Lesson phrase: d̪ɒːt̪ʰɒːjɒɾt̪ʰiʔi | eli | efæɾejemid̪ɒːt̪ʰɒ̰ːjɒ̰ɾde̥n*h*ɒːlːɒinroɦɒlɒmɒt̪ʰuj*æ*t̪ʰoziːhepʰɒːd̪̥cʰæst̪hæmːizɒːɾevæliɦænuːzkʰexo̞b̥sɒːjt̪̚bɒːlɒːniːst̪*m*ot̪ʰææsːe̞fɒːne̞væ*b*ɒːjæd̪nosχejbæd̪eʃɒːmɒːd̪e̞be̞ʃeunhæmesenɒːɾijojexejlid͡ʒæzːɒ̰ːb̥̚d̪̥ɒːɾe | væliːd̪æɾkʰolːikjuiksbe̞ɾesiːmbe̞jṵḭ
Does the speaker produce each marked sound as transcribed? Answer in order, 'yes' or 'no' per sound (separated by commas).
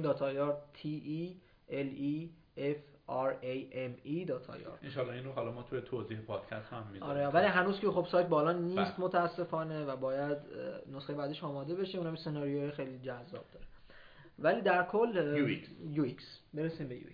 no, no, yes, yes